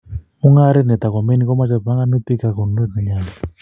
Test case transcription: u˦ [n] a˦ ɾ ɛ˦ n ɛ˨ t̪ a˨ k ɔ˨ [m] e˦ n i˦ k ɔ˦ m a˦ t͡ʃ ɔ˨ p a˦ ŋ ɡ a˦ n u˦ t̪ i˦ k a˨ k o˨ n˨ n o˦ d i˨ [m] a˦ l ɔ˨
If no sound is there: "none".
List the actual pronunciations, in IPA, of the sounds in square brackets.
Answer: ŋ, m, ɲ

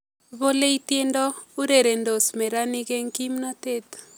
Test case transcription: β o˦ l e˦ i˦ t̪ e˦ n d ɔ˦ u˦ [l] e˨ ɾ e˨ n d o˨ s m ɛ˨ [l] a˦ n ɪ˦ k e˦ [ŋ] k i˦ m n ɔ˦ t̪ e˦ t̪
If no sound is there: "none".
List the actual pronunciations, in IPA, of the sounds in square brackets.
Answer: ɾ, ɾ, ŋ

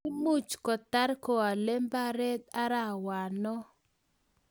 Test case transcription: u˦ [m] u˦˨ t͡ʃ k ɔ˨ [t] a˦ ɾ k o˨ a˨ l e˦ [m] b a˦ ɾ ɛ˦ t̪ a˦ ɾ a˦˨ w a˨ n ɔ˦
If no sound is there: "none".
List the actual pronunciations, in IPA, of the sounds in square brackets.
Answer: m, t, m

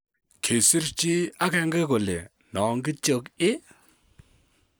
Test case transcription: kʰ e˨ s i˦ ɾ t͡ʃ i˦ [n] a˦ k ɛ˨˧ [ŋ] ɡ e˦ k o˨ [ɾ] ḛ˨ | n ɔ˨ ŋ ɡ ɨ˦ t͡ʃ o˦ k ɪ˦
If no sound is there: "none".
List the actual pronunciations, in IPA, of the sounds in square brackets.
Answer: none, ŋ, l

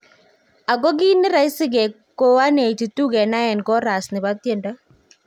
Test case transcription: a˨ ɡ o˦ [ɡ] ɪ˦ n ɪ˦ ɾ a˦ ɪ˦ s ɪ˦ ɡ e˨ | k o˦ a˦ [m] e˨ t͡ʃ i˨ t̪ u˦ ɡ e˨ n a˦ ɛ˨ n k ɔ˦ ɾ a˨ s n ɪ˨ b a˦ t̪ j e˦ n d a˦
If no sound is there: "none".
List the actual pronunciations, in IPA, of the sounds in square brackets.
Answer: ɡ, n

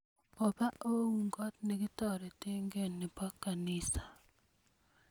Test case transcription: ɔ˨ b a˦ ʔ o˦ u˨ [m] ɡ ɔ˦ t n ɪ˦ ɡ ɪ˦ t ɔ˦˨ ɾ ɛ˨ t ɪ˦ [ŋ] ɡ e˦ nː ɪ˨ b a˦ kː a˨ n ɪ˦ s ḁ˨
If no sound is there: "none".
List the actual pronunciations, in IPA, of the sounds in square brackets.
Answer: ŋ, ŋ

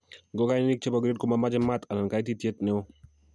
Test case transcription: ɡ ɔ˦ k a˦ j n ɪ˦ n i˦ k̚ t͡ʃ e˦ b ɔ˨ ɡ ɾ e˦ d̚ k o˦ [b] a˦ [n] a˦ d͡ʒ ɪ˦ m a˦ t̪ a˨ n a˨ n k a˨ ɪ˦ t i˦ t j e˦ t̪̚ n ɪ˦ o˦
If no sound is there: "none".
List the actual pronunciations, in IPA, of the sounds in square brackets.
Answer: m, m

